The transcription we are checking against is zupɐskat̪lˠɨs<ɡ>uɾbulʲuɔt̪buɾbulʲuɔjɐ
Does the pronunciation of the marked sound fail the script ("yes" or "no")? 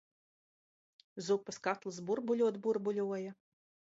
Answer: yes